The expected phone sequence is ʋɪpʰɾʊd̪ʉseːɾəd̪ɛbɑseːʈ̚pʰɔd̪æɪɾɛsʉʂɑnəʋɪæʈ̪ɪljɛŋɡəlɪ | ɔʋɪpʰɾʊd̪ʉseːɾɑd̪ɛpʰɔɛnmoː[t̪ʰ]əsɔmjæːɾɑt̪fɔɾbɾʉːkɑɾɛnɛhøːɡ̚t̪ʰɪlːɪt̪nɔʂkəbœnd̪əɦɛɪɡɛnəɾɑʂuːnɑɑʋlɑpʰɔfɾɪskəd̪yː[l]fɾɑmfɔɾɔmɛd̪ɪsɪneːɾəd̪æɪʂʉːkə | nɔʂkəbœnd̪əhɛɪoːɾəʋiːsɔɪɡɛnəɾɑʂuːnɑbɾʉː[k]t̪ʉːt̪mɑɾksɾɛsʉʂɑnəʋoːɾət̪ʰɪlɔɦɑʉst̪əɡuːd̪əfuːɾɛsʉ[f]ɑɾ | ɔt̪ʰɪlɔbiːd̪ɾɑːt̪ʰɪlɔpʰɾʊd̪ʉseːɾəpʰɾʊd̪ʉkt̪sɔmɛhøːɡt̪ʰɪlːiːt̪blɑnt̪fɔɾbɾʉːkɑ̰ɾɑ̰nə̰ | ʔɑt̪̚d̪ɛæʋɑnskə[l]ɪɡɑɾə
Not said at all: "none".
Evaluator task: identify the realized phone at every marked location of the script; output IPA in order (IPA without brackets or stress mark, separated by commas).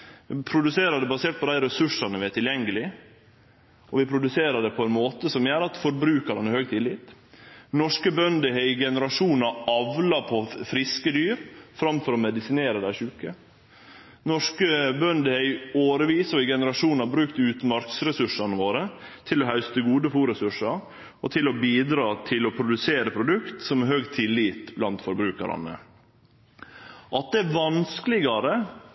t̪, ɾ, k, ʂ, l